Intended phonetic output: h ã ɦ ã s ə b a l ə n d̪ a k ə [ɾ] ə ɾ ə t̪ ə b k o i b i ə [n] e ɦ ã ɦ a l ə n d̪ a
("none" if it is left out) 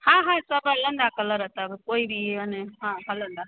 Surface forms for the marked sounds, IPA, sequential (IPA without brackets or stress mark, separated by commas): l, n